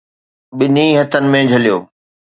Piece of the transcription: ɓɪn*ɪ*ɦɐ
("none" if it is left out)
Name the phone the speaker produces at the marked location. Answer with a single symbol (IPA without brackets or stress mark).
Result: i